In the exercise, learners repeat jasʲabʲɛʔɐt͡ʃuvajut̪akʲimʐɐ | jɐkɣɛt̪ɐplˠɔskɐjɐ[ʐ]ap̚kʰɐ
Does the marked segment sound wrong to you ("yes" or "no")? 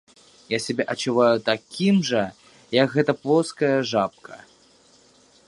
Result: no